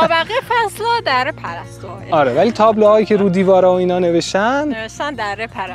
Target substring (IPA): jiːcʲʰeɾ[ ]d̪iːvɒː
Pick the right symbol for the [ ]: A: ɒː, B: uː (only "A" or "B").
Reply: B